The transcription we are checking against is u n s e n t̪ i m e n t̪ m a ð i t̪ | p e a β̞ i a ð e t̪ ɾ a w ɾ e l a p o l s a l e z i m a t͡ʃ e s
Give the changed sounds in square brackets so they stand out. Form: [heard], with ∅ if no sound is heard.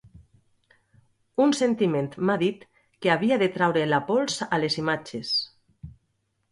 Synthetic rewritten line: u n s e n t̪ i m e n t̪ m a ð i t̪ | [k] e a β̞ i a ð e t̪ ɾ a w ɾ e l a p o l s a l e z i m a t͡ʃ e s